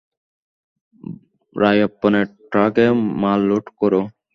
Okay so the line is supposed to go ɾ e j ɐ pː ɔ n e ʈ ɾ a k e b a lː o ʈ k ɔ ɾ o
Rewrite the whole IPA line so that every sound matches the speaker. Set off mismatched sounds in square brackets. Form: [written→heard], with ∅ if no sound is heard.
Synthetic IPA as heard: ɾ [e→a] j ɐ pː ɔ n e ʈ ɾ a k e [b→m] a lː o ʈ k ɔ ɾ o